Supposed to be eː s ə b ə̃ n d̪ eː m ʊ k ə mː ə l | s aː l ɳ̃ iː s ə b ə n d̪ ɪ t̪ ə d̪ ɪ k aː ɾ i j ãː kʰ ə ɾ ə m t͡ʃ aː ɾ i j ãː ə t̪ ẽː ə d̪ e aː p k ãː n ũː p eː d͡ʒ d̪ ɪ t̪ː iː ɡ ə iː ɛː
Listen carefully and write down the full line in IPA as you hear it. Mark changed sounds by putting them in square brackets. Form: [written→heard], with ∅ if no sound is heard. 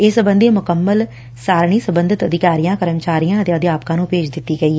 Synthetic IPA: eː s ə b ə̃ n d̪ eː m ʊ k ə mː ə l | s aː [l→ɾ] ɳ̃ iː s ə b ə n d̪ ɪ t̪ ə d̪ ɪ k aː ɾ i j ãː [kʰ→k] ə ɾ ə m t͡ʃ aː ɾ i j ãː ə t̪ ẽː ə d̪ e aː p k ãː n ũː p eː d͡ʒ d̪ ɪ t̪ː iː ɡ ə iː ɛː